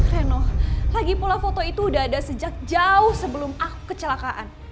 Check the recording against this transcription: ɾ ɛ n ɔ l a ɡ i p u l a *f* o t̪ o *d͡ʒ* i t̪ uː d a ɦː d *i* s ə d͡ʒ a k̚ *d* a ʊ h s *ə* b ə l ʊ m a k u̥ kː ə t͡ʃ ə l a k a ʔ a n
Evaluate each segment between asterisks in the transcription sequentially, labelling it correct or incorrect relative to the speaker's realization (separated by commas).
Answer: correct, incorrect, incorrect, incorrect, correct